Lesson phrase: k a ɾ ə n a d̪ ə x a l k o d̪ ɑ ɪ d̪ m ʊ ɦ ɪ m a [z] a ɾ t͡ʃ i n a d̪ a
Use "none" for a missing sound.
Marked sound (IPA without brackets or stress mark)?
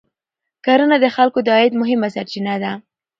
s